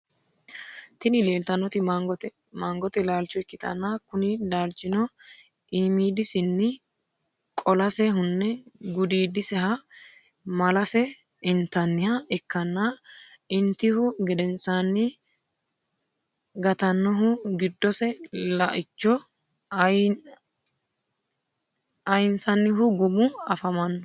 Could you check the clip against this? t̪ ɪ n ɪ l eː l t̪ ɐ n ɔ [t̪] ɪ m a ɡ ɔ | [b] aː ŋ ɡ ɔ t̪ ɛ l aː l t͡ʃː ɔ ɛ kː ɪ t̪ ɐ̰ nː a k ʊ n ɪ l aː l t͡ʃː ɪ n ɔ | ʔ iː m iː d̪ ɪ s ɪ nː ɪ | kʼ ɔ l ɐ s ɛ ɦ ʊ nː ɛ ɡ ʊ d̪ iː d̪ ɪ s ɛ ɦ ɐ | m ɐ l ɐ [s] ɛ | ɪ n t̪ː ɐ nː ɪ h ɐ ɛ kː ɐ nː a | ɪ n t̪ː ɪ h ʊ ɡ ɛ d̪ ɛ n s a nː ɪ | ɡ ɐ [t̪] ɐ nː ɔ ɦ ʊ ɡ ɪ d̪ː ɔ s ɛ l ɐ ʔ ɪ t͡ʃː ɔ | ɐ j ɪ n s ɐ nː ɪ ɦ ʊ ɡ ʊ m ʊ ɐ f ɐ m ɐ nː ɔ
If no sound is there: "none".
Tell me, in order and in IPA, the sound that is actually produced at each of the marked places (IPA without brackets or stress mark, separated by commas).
t̪, m, s, t̪